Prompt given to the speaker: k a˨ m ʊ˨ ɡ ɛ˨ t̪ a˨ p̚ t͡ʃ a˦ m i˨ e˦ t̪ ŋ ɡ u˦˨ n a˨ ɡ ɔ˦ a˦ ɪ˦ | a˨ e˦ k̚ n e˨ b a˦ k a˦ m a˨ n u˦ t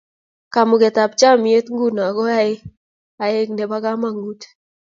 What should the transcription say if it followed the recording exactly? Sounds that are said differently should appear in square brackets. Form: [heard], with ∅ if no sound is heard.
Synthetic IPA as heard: k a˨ m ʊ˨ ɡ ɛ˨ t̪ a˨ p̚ t͡ʃ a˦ m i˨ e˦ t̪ ŋ ɡ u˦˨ n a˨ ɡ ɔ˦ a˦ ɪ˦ | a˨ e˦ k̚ n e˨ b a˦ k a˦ m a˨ [ŋ] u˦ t